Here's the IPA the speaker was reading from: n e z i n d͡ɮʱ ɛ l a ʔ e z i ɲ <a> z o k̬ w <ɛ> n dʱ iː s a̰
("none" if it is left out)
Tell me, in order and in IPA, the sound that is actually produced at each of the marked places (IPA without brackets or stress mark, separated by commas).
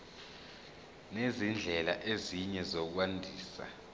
ɛ, a